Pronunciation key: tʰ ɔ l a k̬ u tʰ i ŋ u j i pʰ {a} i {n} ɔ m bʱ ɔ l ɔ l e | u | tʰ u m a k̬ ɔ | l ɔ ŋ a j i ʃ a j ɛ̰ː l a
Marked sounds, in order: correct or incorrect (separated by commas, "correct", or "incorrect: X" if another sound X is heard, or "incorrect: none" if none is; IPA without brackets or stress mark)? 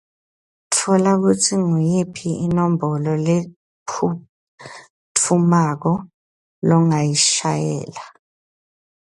incorrect: i, correct